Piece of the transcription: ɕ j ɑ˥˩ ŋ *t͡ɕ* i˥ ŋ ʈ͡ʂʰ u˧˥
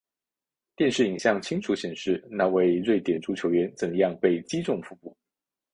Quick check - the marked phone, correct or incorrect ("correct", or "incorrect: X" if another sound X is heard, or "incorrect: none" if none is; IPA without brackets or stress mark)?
incorrect: t͡ɕʰ